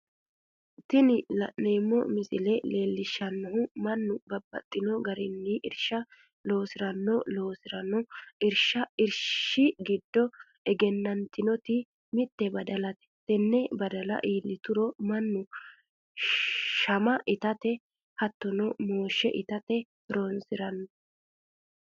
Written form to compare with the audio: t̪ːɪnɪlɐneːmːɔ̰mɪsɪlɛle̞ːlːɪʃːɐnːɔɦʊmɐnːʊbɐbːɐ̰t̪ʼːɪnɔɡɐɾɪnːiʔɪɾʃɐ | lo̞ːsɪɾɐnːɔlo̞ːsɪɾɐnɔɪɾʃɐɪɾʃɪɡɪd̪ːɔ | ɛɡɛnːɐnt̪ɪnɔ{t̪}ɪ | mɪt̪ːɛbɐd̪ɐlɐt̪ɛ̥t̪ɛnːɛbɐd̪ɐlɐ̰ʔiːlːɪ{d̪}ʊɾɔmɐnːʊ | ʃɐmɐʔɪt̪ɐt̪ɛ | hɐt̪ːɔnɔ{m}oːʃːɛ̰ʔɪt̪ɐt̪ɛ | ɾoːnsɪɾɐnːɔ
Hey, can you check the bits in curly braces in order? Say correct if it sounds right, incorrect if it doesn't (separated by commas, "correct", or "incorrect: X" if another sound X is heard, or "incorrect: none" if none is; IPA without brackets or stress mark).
correct, incorrect: t̪, correct